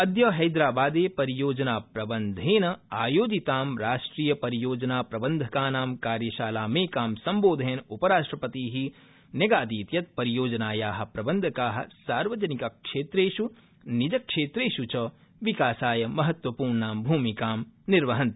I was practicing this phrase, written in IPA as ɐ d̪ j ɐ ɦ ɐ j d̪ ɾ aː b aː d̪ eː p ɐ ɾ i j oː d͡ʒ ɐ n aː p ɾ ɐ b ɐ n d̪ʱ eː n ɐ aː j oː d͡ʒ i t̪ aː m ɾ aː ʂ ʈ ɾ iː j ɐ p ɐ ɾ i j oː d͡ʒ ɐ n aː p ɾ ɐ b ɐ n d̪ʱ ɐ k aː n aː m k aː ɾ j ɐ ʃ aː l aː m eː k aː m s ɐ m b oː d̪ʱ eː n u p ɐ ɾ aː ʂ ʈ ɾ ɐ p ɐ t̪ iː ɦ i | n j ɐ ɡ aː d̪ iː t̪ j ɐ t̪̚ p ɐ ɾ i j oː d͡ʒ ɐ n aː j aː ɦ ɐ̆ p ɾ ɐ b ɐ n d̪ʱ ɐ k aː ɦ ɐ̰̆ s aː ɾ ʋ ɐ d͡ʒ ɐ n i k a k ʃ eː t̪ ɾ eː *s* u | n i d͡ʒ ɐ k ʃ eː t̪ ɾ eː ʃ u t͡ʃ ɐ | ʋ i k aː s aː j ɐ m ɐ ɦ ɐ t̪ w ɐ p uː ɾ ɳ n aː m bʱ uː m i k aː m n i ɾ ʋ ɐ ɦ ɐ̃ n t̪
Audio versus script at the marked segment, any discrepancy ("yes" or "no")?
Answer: yes